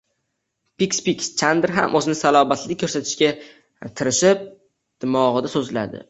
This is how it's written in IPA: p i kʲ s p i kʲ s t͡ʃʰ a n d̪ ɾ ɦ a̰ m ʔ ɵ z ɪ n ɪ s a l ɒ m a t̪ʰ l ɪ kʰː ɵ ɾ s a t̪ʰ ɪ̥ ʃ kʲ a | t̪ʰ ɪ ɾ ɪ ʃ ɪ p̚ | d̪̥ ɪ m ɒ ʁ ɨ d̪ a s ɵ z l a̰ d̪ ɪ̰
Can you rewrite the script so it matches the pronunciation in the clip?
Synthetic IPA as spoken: p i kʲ s p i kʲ s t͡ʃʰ a n d̪ ɾ ɦ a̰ m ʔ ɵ z ɪ n ɪ s a l ɒ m a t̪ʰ l ɪ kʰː ɵ ɾ s a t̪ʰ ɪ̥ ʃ kʲ a | t̪ʰ ɪ ɾ ɪ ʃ ɪ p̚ | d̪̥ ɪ m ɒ ʁ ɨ d̪ a s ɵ z l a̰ d̪ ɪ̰